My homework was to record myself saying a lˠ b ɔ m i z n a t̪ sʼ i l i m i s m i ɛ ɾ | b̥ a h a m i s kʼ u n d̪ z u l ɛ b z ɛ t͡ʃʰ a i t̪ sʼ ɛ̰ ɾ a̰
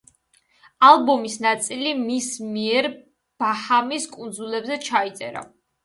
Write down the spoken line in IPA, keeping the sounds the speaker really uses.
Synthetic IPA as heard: a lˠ b ɔ m i s n a t̪ sʼ i l i m i s m i ɛ ɾ | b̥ a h a m i s kʼ u n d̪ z u l ɛ b z ɛ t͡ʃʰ a i t̪ sʼ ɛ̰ ɾ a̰